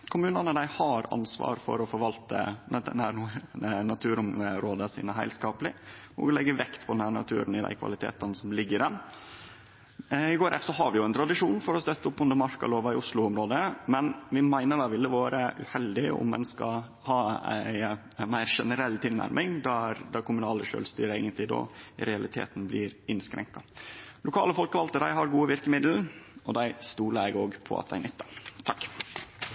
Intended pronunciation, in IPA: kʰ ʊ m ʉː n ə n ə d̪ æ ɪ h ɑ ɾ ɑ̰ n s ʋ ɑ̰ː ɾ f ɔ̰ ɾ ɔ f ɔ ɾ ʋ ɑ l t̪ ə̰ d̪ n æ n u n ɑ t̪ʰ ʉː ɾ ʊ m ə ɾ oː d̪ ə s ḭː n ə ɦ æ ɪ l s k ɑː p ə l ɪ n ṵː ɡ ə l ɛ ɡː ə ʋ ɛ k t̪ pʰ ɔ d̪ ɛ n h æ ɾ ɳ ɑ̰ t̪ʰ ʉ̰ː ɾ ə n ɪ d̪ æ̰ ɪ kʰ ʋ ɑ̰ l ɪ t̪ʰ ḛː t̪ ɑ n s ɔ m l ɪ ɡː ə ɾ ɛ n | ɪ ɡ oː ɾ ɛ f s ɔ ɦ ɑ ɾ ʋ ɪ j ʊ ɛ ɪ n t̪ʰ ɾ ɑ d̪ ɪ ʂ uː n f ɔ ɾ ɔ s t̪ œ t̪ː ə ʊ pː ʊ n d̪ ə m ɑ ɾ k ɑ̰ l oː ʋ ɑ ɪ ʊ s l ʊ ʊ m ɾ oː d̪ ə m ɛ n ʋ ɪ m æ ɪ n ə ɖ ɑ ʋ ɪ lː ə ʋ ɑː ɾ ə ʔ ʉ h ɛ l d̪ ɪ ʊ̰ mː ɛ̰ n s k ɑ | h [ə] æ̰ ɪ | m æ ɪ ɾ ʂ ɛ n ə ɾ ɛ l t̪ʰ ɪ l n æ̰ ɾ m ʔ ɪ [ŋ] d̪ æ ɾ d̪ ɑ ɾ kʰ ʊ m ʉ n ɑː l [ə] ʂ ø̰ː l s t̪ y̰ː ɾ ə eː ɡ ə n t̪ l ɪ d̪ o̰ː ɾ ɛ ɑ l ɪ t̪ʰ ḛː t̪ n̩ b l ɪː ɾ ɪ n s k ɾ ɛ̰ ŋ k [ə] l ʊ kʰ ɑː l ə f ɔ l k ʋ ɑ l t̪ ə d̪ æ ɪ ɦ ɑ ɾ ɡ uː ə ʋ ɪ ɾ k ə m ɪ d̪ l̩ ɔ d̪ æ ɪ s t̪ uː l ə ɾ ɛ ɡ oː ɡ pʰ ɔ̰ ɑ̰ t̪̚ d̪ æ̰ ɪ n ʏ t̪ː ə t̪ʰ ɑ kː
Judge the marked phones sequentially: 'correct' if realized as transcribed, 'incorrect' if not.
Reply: incorrect: ɑ, correct, correct, incorrect: ɑ

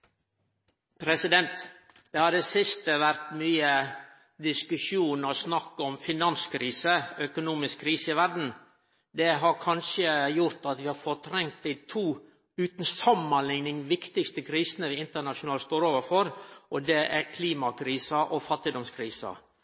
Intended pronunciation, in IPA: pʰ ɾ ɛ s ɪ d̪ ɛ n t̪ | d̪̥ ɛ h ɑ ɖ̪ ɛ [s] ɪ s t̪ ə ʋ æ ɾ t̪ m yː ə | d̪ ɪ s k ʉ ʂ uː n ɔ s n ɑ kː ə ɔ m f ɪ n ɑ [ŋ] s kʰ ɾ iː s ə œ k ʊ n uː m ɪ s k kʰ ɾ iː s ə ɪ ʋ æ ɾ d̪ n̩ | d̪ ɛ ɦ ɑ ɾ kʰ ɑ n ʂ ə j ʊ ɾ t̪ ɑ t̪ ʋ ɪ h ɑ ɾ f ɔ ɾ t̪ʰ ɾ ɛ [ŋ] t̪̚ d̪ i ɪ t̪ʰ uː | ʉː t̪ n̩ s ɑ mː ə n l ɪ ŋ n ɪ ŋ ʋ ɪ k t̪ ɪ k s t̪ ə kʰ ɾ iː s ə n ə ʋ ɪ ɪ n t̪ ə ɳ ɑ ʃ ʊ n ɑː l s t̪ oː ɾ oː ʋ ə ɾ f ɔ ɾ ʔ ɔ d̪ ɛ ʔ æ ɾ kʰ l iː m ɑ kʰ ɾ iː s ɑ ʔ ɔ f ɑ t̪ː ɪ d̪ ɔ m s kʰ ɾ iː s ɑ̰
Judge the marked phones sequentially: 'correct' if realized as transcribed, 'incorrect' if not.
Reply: correct, incorrect: n, correct

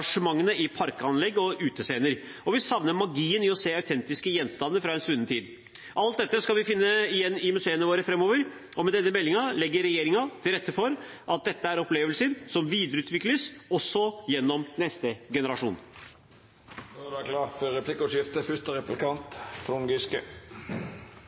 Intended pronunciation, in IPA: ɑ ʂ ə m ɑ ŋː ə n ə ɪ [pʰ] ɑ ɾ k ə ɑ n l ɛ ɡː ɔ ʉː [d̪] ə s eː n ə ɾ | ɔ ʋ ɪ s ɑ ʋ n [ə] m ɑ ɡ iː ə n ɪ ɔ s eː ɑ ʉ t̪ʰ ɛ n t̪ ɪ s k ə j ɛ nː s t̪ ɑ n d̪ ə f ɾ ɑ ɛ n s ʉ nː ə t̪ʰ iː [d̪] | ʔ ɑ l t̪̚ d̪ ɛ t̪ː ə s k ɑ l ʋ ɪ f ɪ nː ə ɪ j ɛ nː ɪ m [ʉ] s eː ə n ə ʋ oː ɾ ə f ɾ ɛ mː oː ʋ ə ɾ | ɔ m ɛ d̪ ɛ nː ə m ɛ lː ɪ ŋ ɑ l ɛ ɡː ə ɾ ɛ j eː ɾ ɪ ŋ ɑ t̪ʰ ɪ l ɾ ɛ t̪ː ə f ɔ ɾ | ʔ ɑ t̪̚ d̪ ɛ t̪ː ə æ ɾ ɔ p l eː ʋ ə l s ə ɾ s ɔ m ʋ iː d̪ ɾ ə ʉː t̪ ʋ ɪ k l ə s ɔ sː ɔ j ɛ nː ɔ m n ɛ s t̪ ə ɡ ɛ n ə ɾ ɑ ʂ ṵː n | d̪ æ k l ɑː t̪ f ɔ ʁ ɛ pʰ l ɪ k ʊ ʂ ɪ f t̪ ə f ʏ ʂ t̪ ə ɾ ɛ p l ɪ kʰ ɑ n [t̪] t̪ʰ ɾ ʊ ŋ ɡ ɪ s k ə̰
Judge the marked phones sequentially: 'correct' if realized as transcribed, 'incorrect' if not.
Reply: correct, incorrect: t̪, correct, correct, correct, correct

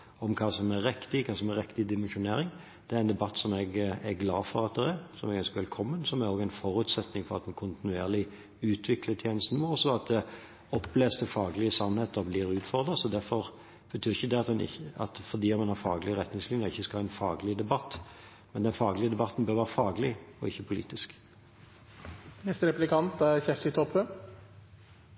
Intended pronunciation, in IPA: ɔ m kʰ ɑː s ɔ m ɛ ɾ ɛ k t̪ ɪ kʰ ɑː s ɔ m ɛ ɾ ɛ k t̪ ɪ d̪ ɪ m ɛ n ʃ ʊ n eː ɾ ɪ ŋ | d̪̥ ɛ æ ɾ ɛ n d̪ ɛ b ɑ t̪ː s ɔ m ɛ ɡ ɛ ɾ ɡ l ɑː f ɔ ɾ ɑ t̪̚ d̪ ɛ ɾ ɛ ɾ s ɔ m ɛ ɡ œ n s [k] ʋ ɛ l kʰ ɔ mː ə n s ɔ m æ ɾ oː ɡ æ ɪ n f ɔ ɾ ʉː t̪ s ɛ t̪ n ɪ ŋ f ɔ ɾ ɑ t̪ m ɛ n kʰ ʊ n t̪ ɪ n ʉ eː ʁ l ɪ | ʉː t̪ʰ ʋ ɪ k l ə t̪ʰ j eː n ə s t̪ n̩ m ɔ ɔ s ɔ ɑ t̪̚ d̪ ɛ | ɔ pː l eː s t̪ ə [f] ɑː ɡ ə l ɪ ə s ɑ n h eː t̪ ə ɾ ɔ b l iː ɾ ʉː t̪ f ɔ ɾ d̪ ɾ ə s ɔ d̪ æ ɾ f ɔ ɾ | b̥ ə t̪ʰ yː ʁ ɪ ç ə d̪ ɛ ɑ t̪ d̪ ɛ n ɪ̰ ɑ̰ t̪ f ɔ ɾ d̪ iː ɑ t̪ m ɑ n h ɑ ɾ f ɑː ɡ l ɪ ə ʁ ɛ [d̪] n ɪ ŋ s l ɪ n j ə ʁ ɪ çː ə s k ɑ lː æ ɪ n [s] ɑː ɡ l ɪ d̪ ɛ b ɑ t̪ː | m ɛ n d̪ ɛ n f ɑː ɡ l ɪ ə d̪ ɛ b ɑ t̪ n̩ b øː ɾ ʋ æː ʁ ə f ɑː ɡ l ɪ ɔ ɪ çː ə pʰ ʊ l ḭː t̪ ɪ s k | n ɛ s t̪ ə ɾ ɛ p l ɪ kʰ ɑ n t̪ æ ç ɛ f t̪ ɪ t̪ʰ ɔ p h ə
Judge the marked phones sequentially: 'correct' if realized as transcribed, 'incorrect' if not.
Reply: correct, correct, incorrect: t̪, incorrect: f

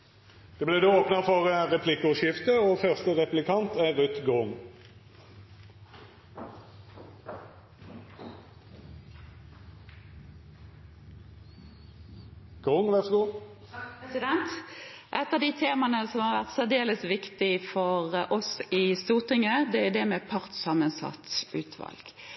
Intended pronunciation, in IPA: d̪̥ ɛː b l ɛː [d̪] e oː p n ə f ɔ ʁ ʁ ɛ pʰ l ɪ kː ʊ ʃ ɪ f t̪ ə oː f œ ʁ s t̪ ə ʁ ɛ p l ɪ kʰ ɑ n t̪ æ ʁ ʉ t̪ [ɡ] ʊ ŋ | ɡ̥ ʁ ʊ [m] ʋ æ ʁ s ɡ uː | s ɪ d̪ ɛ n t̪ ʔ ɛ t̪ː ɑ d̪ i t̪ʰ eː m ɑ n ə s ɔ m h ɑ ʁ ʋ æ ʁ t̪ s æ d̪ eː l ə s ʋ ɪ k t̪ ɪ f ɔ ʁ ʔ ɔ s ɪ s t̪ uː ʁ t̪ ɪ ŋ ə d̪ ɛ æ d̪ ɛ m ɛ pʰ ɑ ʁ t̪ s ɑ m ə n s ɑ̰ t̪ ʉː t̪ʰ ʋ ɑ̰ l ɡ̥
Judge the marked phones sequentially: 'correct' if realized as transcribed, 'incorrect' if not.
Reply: correct, correct, incorrect: ŋ

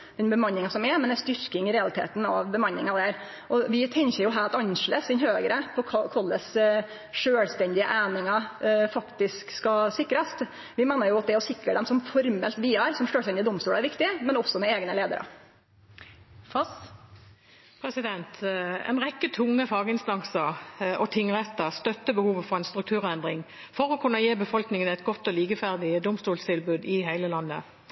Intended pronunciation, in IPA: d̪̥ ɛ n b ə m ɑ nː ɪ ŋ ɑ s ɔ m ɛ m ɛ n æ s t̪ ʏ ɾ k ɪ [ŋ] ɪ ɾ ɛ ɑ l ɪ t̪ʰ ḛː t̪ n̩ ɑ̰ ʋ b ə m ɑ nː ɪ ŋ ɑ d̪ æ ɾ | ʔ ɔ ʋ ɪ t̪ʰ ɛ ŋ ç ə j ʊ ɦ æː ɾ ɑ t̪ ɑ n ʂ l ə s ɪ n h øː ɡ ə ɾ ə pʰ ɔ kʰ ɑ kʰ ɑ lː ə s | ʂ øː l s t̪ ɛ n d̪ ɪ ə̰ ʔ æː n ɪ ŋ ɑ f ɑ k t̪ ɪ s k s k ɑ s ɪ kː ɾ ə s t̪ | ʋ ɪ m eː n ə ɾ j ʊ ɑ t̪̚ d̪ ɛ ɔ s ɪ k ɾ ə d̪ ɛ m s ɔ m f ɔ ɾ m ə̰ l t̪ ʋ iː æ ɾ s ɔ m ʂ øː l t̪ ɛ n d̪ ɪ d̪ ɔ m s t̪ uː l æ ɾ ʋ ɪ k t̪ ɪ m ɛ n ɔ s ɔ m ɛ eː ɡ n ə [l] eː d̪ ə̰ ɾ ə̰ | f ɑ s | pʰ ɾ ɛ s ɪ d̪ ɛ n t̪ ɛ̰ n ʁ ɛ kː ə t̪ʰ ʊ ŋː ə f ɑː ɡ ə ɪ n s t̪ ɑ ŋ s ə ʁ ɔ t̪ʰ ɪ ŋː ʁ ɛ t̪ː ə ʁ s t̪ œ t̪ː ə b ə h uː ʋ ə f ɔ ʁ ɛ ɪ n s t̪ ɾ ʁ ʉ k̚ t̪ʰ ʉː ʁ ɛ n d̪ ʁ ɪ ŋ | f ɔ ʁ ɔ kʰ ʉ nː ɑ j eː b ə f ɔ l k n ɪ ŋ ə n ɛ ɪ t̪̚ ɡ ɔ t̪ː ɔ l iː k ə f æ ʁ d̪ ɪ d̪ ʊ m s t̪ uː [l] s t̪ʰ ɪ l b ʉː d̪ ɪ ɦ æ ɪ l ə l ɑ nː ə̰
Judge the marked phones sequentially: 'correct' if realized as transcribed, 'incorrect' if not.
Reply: correct, correct, correct

